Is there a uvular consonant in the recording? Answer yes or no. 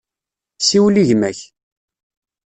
no